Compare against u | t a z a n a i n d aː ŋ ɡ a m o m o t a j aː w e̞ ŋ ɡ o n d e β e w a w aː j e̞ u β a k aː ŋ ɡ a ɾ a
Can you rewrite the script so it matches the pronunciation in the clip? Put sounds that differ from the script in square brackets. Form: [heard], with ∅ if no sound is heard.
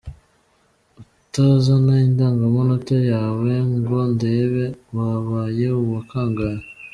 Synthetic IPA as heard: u | t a z a n a i n d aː ŋ ɡ a m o [n] o t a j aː w e̞ ŋ ɡ o n d e β e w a [β] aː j e̞ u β a k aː ŋ ɡ a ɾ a